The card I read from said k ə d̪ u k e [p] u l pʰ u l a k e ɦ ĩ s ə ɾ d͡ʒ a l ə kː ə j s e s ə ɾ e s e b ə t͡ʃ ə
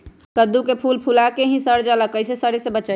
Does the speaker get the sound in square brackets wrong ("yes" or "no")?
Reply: yes